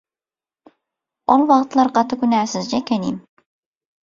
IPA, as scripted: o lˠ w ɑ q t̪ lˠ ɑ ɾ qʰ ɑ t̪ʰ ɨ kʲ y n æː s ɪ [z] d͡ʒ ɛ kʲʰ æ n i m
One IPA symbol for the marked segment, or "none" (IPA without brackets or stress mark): z